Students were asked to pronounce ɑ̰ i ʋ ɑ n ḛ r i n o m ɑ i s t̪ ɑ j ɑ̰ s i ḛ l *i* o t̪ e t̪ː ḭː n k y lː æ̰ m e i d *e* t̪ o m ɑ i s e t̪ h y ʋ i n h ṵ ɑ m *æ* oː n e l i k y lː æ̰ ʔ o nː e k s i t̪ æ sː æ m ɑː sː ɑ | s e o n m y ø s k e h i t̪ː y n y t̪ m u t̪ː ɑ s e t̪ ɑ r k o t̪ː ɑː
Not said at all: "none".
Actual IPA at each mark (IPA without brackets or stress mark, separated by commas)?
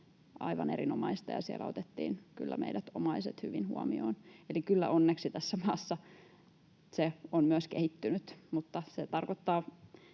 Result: æ, æ, i